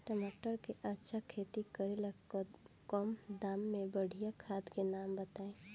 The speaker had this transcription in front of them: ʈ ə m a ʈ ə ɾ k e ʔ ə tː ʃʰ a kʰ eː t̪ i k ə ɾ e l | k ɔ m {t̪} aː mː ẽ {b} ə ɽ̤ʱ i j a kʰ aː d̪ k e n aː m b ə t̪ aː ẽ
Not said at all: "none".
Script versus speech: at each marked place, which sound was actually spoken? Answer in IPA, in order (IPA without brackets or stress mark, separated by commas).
d̪, b